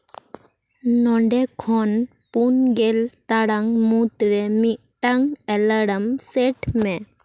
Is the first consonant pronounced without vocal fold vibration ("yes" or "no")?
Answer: no